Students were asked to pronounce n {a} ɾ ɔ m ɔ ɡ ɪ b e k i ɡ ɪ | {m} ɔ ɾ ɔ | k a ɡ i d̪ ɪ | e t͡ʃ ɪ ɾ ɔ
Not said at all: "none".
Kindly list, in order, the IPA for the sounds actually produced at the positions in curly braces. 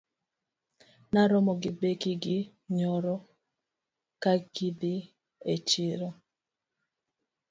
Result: a, ɲ

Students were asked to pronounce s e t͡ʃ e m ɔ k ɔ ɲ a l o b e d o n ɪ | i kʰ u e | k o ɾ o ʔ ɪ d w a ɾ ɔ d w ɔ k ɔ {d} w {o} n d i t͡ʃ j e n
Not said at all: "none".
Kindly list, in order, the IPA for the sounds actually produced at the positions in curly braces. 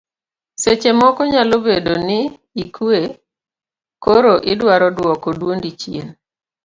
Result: d, o

